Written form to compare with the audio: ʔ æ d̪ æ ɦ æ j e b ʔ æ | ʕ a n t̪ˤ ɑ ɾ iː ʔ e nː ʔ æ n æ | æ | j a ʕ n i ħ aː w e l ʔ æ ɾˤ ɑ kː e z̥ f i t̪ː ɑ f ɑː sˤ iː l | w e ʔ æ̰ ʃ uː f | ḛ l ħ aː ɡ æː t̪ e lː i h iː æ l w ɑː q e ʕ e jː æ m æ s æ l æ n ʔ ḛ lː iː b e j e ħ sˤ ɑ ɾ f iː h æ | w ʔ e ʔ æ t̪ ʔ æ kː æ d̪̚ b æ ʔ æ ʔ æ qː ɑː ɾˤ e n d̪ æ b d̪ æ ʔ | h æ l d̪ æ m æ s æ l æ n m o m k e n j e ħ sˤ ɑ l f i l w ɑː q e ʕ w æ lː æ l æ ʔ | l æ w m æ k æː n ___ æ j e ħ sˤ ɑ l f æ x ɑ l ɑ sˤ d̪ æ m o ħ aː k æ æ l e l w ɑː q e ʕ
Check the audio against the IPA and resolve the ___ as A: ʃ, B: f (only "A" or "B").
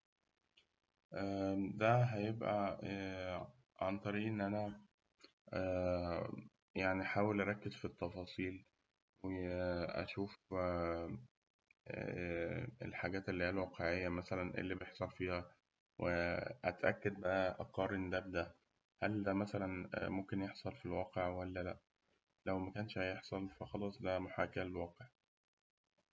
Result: A